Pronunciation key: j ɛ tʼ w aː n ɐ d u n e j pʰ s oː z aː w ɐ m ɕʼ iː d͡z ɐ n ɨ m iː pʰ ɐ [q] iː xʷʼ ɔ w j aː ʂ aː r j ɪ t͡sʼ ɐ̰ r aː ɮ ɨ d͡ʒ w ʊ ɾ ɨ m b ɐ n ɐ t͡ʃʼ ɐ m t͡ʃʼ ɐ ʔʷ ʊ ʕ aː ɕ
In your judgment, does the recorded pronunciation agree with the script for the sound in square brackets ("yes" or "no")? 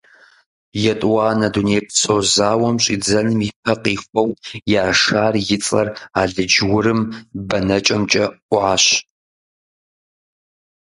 yes